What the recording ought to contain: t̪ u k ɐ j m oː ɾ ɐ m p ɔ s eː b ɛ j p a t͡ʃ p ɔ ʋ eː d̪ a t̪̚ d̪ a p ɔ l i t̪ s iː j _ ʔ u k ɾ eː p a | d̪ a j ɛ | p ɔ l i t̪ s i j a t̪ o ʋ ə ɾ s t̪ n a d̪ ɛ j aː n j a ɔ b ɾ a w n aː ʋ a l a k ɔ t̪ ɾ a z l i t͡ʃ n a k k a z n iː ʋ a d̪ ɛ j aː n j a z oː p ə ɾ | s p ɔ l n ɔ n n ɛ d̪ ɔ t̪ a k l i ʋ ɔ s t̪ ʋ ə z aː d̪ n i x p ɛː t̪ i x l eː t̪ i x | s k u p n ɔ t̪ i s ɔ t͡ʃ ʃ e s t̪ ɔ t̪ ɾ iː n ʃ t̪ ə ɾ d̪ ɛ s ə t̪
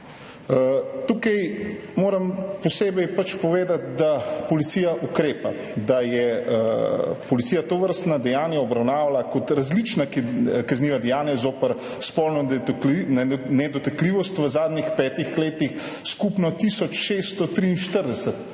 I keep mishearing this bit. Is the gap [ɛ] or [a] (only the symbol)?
a